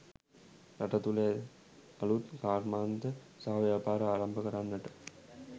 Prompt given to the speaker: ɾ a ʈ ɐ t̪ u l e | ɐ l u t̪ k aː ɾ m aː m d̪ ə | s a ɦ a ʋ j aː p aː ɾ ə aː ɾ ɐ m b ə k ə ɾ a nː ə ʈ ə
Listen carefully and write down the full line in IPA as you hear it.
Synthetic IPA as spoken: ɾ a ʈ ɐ t̪ u l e | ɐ l u t̪ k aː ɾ m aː n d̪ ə | s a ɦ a ʋ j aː p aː ɾ ə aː ɾ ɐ m b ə k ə ɾ a nː ə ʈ ə